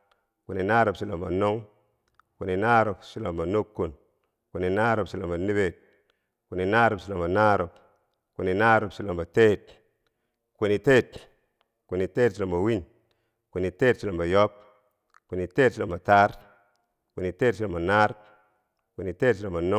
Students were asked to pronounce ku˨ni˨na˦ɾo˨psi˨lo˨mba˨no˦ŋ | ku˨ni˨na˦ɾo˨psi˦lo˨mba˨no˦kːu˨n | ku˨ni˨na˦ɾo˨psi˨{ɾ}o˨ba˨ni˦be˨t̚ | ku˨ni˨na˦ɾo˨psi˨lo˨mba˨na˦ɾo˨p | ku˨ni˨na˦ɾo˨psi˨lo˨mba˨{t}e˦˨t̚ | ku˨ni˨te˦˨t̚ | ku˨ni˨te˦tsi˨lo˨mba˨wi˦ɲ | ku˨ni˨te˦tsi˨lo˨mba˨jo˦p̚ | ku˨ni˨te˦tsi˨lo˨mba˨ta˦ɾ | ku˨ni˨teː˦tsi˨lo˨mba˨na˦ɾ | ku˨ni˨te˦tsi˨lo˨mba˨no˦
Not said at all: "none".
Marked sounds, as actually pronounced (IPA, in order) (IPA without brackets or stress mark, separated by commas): l, t